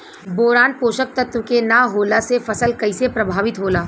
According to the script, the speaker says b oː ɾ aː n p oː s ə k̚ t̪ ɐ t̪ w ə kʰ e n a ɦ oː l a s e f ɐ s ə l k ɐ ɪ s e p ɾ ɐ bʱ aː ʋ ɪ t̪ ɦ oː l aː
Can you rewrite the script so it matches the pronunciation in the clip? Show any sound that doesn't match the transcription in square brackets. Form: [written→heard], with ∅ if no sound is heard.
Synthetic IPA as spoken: b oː ɾ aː n p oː [s→ʃ] ə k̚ t̪ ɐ t̪ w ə [kʰ→k] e n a ɦ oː l a s e f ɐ s ə l k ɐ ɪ s e p ɾ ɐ bʱ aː ʋ ɪ t̪ ɦ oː l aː